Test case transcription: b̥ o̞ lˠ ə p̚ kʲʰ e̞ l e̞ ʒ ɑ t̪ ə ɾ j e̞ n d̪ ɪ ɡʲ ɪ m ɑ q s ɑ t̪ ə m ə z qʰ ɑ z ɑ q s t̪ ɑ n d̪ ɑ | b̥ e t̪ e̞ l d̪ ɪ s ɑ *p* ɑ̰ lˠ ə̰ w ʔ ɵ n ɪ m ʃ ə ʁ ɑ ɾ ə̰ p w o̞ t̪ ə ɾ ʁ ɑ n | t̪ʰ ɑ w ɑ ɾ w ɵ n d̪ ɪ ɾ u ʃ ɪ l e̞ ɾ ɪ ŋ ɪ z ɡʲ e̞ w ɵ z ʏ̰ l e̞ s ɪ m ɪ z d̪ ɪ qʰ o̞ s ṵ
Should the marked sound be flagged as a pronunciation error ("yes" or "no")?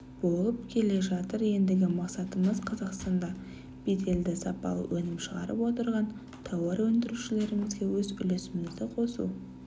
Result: no